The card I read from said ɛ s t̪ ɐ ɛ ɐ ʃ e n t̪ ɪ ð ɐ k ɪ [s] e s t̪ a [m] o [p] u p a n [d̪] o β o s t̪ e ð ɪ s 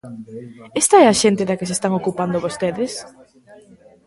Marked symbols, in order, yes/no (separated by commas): yes, no, no, yes